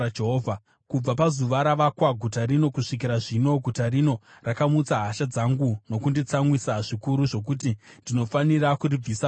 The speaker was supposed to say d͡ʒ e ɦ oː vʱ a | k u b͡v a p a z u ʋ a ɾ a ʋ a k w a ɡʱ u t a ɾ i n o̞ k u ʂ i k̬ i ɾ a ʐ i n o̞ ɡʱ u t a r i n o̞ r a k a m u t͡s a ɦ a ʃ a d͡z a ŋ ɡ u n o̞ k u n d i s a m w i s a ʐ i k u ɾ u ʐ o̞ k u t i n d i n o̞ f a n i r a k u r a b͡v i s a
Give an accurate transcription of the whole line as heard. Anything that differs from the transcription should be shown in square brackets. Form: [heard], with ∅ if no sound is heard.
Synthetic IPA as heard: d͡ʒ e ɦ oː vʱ a | k u b͡v a p a z u ʋ a ɾ a ʋ a k w a ɡʱ u t a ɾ i n o̞ k u ʂ i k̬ i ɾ a ʐ i n o̞ ɡʱ u t a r i n o̞ r a k a m u t͡s a ɦ a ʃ a d͡z a ŋ ɡ u n o̞ k u n d i [t͡s] a m w i s a ʐ i k u ɾ u ʐ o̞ k u t i n d i n o̞ f a n i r a k u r [i] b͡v i s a